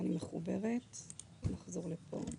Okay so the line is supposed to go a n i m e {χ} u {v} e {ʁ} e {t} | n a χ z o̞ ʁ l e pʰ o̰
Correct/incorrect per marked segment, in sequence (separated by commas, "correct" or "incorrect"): correct, incorrect, correct, correct